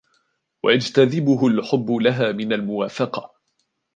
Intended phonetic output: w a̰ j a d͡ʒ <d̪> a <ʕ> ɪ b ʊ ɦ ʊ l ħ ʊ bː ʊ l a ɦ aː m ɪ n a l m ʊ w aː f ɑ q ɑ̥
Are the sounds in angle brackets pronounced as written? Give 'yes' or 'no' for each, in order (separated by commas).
no, no